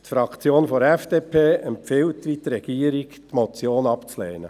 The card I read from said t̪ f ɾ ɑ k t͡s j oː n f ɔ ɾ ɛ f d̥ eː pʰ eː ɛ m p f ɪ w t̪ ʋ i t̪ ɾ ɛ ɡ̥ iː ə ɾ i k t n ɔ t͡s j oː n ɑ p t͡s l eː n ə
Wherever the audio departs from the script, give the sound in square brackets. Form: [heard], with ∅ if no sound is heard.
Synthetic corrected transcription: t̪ f ɾ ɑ k t͡s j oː n f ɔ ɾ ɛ f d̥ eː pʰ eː ɛ m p f ɪ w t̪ ʋ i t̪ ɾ ɛ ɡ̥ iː ə ɾ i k t [m] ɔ t͡s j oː n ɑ p t͡s l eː n ə

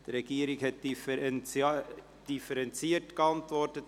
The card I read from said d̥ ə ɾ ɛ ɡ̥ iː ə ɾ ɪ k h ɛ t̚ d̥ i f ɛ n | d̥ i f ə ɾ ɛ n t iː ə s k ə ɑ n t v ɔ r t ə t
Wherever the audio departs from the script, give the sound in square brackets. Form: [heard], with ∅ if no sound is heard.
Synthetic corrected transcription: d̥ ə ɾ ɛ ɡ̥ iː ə ɾ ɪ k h ɛ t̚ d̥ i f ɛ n | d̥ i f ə ɾ ɛ n [t͡s] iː ə [t] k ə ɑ n t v ɔ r t ə t

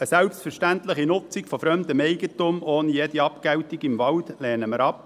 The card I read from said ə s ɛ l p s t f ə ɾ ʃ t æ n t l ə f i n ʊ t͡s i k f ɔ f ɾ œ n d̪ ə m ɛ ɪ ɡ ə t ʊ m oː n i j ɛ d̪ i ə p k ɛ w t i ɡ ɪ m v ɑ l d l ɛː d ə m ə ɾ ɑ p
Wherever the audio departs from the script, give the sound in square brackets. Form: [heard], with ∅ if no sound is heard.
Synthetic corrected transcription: ə s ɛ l p s t f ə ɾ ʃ t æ n t l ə [χ] i n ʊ t͡s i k f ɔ f ɾ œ [m] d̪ ə m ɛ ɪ ɡ ə t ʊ m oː n i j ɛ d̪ i [ɑ] p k ɛ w t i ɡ ɪ m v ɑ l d l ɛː [n] ə m ə ɾ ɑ p

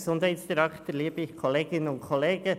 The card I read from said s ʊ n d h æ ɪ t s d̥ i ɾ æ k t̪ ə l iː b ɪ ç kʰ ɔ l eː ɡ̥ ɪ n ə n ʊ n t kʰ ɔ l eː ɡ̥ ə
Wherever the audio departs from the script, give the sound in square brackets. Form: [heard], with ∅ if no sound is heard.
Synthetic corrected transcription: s ʊ n d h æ ɪ t s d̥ i ɾ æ k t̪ ə l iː b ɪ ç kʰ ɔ l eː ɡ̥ ɪ n ə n ʊ n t kʰ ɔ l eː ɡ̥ ə

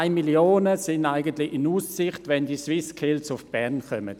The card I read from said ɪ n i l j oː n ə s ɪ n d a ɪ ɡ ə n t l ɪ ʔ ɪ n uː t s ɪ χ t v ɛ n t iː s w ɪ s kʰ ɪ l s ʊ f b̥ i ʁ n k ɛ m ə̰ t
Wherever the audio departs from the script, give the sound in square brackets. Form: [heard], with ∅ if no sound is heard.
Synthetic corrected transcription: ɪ [m] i l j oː n ə s ɪ n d a ɪ ɡ ə n t l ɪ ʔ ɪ n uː [s] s ɪ χ t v ɛ n [d] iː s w ɪ s kʰ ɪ l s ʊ f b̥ [ɛ] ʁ n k [œ] m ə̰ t

